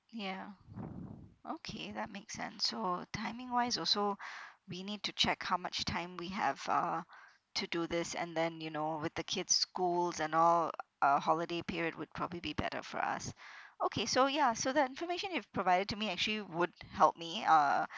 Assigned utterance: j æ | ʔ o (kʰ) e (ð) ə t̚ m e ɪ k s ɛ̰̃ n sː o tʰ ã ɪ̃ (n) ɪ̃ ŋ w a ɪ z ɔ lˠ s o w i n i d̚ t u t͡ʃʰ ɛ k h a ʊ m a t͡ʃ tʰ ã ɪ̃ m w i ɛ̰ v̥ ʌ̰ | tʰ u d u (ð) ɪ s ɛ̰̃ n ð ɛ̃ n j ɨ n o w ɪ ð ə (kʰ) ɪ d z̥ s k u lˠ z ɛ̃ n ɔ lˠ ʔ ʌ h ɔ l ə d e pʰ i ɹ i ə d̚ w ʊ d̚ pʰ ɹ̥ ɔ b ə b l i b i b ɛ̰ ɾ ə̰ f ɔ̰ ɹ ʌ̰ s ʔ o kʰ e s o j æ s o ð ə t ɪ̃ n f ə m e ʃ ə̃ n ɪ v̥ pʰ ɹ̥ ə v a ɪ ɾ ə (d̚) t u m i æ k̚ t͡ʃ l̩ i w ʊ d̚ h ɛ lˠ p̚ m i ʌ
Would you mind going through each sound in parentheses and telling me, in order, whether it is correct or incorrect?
correct, correct, incorrect: m, correct, correct, correct

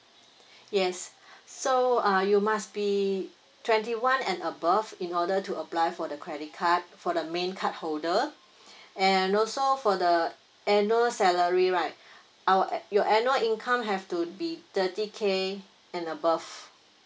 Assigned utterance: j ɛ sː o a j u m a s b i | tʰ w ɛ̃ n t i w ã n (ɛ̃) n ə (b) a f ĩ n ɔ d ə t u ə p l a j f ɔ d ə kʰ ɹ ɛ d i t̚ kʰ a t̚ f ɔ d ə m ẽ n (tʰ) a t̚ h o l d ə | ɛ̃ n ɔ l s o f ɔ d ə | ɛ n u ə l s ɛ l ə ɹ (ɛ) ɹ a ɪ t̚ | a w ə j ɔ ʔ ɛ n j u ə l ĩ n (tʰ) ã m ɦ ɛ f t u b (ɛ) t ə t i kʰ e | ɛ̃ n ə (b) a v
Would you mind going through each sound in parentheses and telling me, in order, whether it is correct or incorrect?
correct, correct, incorrect: kʰ, incorrect: i, incorrect: kʰ, incorrect: i, correct

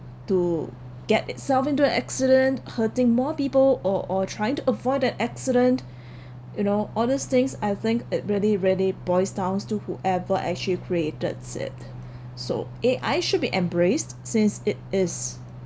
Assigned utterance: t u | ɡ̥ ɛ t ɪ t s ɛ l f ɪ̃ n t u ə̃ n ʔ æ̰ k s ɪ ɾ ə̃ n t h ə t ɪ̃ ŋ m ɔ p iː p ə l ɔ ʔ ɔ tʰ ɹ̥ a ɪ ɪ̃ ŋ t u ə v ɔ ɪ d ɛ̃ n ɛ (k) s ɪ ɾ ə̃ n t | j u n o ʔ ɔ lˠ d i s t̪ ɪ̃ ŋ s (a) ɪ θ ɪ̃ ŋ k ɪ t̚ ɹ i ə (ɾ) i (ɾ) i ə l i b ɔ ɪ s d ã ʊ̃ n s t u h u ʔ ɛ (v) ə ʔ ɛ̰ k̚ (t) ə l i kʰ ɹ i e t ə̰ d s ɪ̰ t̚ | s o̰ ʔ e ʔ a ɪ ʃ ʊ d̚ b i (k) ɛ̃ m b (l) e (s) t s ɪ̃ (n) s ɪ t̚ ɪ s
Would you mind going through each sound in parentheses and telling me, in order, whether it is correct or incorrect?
correct, correct, incorrect: l, incorrect: ɹ, correct, incorrect: t͡ʃ, incorrect: ʔ, incorrect: ɹ, correct, correct

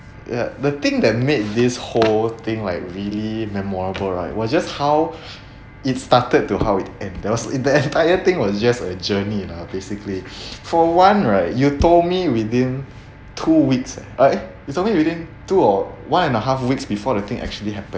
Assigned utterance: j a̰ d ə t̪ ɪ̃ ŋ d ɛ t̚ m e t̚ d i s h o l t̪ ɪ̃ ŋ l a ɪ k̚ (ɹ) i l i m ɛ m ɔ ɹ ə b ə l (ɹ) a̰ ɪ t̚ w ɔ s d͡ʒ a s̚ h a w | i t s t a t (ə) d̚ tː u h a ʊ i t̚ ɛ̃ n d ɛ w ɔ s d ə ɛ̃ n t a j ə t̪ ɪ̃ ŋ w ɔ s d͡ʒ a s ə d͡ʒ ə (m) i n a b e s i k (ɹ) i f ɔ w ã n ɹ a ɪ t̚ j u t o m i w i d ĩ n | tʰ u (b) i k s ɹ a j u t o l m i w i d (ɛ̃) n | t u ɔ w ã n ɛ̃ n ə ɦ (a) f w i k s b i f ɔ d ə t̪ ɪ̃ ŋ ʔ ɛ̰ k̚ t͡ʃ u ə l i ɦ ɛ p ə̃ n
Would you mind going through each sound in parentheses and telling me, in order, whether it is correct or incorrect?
correct, correct, correct, incorrect: n, incorrect: l, incorrect: w, incorrect: ĩ, correct

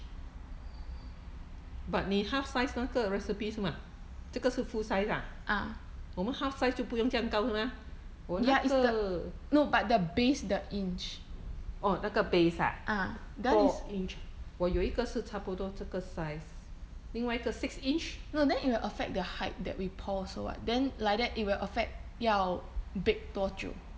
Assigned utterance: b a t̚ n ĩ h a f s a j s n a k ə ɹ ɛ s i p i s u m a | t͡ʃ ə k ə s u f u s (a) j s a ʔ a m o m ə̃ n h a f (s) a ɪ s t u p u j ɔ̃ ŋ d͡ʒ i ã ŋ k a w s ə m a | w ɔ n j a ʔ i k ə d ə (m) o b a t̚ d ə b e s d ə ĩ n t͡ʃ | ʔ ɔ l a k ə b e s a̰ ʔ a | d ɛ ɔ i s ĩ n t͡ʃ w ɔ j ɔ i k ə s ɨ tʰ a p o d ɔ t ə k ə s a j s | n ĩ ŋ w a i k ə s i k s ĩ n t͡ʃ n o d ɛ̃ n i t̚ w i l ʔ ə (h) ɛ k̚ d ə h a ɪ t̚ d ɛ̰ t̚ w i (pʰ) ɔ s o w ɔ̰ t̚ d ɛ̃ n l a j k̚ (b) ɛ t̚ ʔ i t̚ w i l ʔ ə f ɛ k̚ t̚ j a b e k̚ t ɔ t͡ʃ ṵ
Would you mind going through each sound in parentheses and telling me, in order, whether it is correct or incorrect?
correct, correct, incorrect: n, incorrect: f, correct, incorrect: d

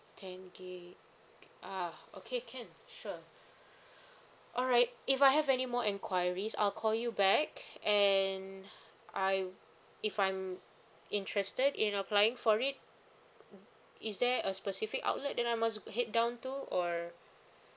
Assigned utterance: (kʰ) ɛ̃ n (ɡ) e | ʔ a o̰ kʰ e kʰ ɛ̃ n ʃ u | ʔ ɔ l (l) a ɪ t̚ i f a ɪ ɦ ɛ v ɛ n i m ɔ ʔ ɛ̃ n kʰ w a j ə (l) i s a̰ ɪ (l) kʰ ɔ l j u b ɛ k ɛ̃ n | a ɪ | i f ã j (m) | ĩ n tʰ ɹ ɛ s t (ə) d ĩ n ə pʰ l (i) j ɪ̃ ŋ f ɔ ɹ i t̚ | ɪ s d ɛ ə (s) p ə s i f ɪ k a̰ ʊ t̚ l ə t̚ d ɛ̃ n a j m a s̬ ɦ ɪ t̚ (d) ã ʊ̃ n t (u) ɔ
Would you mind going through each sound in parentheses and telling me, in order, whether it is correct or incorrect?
incorrect: tʰ, correct, incorrect: ɹ, incorrect: ɹ, correct, correct, correct, incorrect: a, correct, correct, correct

